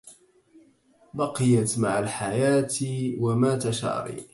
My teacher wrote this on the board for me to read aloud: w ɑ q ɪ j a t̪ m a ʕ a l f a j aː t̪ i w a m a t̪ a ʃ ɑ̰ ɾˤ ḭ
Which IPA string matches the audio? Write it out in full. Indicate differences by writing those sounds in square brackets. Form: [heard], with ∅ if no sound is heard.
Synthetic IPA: [b] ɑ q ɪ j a t̪ m a ʕ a l [ħ] a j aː t̪ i w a m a t̪ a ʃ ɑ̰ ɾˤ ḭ